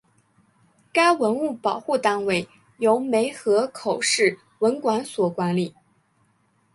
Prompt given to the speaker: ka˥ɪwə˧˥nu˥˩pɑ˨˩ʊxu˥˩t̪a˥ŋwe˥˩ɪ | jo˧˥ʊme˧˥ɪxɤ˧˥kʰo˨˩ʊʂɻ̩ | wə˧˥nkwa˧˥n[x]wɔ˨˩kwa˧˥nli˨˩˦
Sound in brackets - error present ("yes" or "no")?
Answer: yes